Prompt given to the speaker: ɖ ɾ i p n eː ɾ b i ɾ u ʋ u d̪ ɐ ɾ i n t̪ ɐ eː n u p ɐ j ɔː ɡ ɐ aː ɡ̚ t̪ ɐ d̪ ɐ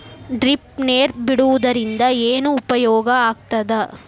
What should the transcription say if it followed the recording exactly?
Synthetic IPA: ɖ ɾ i p n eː ɾ b i ɽ u ʋ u d̪ ɐ ɾ i n d̪ ɐ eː n uː p ɐ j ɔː ɡ ɐ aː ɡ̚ t̪ ɐ d̪ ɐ

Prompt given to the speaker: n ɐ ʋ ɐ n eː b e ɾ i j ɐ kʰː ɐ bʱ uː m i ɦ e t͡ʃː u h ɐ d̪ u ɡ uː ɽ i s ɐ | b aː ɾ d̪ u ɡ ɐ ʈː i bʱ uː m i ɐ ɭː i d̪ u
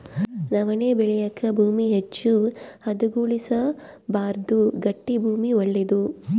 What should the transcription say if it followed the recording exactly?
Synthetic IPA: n ɐ ʋ ɐ n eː b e ɭ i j ɐ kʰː ɐ bʱ uː m i ɦ e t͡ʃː u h ɐ d̪ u ɡ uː ɭ i s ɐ | b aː ɾ d̪ u ɡ ɐ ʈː i bʱ uː m i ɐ ɭː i d̪ u

